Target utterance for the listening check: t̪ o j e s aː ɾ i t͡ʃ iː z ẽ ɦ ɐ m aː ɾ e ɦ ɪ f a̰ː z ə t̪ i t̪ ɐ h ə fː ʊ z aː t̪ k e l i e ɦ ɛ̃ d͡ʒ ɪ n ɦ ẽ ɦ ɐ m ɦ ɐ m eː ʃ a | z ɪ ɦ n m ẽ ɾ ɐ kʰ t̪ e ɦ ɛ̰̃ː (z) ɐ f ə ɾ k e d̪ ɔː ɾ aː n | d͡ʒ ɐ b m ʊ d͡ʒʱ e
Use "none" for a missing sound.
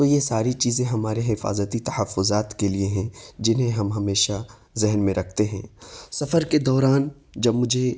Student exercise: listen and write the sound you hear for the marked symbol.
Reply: s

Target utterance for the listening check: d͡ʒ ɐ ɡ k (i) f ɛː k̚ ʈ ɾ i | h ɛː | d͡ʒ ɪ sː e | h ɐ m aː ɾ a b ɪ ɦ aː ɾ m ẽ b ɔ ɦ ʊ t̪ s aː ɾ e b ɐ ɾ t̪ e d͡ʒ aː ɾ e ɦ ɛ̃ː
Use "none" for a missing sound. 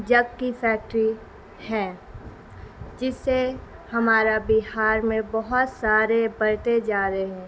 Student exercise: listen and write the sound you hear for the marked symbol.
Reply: i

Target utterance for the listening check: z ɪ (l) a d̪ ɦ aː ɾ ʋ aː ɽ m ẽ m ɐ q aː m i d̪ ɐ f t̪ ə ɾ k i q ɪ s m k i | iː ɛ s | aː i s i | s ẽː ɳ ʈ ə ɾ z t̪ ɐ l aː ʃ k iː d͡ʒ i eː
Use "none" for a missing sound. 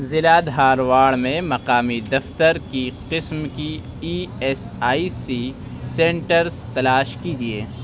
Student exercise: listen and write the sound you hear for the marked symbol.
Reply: l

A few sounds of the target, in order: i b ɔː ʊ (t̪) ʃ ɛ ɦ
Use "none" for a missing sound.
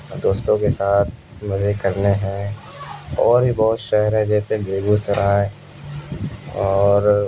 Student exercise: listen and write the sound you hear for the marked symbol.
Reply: t̪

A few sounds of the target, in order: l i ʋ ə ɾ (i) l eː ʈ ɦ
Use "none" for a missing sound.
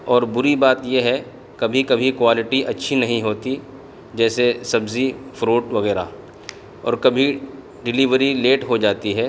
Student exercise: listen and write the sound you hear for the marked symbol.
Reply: i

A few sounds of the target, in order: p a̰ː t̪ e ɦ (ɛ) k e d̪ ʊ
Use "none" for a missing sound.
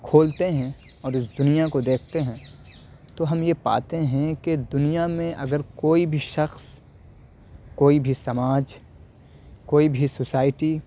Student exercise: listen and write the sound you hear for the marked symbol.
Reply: ɛ̃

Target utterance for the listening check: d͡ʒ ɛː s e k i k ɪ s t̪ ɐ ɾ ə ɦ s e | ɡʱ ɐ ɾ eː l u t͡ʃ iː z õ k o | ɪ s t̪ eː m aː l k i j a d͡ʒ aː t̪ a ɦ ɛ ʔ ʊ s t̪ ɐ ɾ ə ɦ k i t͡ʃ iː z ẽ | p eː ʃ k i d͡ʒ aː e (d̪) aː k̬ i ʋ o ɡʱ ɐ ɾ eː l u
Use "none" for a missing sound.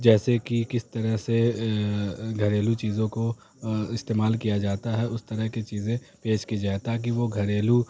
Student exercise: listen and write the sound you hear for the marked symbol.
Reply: t̪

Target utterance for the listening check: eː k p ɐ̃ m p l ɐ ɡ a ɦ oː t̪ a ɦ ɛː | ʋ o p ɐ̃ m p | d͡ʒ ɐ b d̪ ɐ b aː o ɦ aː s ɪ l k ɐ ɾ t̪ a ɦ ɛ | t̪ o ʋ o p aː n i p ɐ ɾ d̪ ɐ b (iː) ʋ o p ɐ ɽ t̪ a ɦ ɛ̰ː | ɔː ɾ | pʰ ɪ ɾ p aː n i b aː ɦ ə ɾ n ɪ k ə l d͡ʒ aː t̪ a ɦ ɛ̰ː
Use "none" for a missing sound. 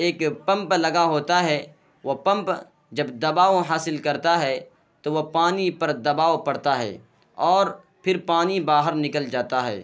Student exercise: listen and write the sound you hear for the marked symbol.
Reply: aː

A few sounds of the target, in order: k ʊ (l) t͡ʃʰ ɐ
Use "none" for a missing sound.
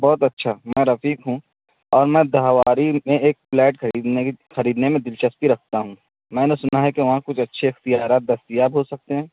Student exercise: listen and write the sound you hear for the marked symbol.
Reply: none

